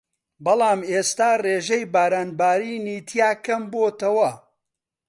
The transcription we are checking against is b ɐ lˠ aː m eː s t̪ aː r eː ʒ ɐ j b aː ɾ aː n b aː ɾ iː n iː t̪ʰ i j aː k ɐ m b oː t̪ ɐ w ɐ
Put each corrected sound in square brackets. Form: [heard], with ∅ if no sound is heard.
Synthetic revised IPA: b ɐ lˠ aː m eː s t̪ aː r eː ʒ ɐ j b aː ɾ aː n b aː ɾ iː n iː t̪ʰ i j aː k ɐ m b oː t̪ ɐ w ɐ